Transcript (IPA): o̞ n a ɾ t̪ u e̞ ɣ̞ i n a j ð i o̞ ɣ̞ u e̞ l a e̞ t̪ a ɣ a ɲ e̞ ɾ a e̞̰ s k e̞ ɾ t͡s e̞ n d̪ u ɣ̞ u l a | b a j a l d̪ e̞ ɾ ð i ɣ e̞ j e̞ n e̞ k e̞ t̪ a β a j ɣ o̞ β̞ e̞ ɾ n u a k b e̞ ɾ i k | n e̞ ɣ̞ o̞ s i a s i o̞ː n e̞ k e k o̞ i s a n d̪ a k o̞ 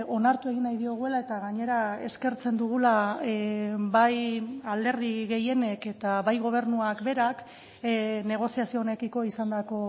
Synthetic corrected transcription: o̞ n a ɾ t̪ u e̞ ɣ̞ i n a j ð i o̞ ɣ̞ u e̞ l a e̞ t̪ a ɣ a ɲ e̞ ɾ a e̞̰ s k e̞ ɾ t͡s e̞ n d̪ u ɣ̞ u l a | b a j a l d̪ e̞ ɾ ð i ɣ e̞ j e̞ n e̞ k e̞ t̪ a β a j ɣ o̞ β̞ e̞ ɾ n u a k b e̞ ɾ a k | n e̞ ɣ̞ o̞ s i a s i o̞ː n e̞ k i k o̞ i s a n d̪ a k o̞